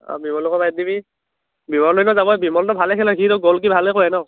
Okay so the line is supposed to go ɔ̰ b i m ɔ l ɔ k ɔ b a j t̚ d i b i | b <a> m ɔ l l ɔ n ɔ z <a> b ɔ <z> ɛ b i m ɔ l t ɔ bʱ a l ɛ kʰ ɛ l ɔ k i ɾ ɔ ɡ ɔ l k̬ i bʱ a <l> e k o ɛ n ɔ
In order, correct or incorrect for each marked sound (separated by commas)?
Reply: incorrect, correct, incorrect, correct